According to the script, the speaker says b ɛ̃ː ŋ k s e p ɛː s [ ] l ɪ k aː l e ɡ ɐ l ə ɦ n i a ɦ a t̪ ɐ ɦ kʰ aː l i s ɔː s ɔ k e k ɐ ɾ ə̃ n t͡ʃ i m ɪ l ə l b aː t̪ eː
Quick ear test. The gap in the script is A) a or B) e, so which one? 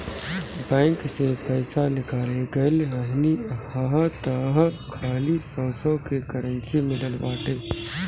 A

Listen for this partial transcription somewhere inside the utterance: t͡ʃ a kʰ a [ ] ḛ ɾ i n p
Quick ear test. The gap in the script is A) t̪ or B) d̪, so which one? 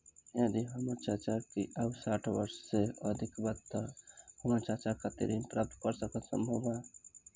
A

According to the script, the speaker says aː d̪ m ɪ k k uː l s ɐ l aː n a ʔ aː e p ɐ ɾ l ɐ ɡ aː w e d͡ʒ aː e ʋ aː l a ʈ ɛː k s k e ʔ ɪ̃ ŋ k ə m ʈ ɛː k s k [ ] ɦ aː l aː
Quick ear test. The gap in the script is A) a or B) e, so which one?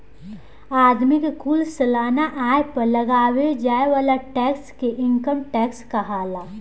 A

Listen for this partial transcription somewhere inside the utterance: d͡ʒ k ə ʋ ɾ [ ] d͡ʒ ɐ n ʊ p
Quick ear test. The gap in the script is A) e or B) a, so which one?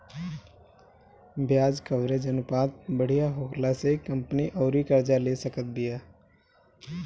A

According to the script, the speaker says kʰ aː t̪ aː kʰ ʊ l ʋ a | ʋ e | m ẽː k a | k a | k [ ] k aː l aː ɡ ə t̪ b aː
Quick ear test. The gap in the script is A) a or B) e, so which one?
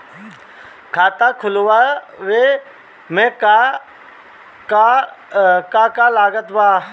A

